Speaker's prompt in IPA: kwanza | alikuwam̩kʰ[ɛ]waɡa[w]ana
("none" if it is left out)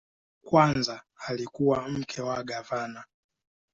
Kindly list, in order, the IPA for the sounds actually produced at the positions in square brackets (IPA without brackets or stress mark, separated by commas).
ɛ, v